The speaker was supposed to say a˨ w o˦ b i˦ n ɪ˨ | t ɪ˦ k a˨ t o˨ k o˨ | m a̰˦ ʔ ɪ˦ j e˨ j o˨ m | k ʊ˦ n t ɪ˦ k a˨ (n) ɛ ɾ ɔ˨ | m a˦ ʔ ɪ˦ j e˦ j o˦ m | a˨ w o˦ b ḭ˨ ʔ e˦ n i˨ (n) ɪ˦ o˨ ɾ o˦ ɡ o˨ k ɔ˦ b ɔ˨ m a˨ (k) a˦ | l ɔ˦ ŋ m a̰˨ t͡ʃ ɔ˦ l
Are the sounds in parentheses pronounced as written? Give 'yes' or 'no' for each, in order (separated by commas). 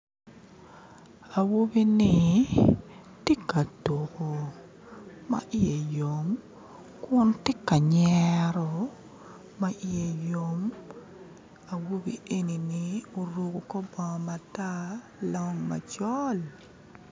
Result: no, yes, no